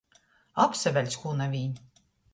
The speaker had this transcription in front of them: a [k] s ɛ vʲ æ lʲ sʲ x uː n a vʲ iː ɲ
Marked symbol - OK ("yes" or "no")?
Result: no